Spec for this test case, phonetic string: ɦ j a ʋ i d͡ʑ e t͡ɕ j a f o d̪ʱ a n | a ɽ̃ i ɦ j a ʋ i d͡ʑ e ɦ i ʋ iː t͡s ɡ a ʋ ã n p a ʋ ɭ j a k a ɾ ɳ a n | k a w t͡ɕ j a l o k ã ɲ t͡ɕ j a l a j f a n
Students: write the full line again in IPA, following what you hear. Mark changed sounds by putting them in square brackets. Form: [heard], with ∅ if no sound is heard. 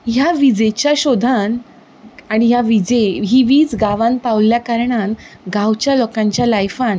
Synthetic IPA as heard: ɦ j a ʋ i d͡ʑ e t͡ɕ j a [ɕ] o d̪ʱ a n | a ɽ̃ i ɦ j a ʋ i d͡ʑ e ɦ i ʋ iː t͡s ɡ a ʋ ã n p a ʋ [l] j a k a ɾ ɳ a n | [ɡ] a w t͡ɕ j a l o k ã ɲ t͡ɕ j a l a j f a n

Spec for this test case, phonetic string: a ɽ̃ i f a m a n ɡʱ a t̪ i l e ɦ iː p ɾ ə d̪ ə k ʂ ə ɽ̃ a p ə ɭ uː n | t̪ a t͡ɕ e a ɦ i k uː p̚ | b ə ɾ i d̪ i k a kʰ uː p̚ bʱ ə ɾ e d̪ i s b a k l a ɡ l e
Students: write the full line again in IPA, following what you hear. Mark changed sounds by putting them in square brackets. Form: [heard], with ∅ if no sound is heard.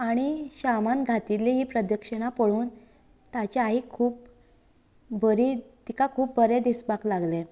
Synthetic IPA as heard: a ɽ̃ i [ɕ] a m a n ɡʱ a t̪ i l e ɦ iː p ɾ ə d̪ ə k ʂ ə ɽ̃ a p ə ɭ uː n | t̪ a t͡ɕ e a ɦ i [kʰ] uː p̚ | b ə ɾ i [t̪] i k a kʰ uː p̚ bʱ ə ɾ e d̪ i s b a k l a ɡ l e

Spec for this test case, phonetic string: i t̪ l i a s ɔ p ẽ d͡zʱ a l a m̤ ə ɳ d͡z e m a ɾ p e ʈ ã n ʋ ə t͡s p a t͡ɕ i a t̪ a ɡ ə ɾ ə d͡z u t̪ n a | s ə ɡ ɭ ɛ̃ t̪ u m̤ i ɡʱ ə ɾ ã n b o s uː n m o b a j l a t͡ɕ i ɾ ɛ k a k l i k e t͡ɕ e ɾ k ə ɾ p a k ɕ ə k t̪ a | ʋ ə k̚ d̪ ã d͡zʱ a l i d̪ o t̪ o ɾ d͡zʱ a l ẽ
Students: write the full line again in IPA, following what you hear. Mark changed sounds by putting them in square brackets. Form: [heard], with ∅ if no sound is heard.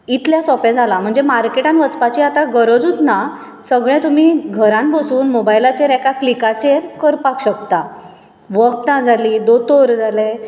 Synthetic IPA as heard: i t̪ l [j] a s ɔ p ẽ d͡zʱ a l a m̤ ə ɳ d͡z e m a ɾ [k] e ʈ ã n ʋ ə t͡s p a t͡ɕ i a t̪ a ɡ ə ɾ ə d͡z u t̪ n a | s ə ɡ ɭ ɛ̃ t̪ u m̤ i ɡʱ ə ɾ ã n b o s uː n m o b a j l a t͡ɕ [e] ɾ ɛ k a k l i k [a] t͡ɕ e ɾ k ə ɾ p a k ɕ ə k t̪ a | ʋ ə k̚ [t̪] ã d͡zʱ a l i d̪ o t̪ o ɾ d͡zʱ a l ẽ

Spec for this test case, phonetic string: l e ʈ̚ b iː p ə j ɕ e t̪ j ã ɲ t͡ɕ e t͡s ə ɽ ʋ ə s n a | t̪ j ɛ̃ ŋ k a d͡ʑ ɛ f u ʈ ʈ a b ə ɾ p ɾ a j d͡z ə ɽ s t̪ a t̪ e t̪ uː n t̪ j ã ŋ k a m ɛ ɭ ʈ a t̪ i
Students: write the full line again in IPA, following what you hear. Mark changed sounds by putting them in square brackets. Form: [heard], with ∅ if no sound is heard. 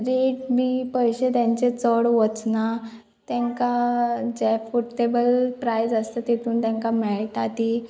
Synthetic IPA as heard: [ɾ] e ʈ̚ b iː p ə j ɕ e t̪ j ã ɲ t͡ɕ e t͡s ə ɽ ʋ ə [t͡s] n a | t̪ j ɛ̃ ŋ k a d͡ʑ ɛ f u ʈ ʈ [e] b ə [l] p ɾ a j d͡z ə [∅] s t̪ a t̪ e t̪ uː n t̪ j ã ŋ k a m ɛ ɭ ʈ a t̪ i

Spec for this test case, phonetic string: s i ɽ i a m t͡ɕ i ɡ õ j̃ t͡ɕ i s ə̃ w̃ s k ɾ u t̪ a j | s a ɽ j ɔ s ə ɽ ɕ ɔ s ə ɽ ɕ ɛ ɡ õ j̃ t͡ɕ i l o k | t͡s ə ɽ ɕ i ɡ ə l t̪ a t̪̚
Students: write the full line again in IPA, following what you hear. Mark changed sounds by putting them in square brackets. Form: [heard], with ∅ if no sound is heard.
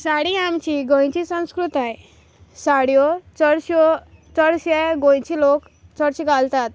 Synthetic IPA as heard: s [a] ɽ i a m t͡ɕ i ɡ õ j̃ t͡ɕ i s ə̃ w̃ s k ɾ u t̪ a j | s a ɽ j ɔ [t͡s] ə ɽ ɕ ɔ [t͡s] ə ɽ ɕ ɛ ɡ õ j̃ t͡ɕ i l o k | t͡s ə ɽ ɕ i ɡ [a] l t̪ a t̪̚

